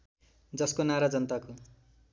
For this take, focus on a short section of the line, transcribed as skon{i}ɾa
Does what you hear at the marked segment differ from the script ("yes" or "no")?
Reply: yes